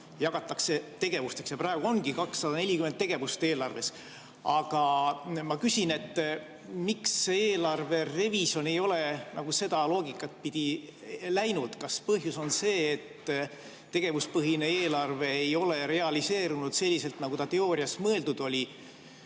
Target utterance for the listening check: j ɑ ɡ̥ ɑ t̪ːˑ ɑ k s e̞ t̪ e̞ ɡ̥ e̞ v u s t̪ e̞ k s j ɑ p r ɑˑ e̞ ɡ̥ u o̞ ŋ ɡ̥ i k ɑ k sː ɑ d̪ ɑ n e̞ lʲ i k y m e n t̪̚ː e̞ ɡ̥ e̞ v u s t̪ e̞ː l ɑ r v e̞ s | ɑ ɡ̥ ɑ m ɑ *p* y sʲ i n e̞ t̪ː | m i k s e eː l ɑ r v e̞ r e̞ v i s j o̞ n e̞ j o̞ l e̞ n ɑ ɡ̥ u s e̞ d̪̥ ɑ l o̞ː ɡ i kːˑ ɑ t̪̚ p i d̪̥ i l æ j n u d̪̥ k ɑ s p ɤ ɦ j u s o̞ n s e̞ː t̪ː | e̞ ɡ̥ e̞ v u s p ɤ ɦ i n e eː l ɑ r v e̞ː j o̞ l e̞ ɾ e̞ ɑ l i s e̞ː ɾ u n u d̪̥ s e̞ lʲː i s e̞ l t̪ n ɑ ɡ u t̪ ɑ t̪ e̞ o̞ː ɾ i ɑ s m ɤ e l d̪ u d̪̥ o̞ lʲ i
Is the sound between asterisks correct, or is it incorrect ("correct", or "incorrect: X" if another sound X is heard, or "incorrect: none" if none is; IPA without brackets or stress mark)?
incorrect: k